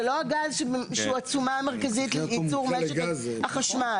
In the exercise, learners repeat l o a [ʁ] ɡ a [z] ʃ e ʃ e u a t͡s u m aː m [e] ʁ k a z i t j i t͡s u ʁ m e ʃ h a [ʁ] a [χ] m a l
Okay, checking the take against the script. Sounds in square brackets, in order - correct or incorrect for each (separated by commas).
incorrect, correct, correct, incorrect, incorrect